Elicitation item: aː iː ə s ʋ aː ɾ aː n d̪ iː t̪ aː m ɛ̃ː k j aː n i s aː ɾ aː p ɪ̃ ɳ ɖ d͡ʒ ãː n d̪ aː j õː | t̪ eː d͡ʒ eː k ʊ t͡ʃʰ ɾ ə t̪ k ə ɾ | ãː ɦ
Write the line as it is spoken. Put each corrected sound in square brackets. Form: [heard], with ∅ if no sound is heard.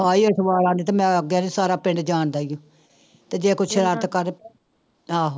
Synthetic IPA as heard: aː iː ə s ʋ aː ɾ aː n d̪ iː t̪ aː m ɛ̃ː [ɡ] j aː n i s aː ɾ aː p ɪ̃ ɳ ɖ d͡ʒ [aː] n d̪ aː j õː | t̪ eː d͡ʒ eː k ʊ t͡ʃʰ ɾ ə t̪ k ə ɾ | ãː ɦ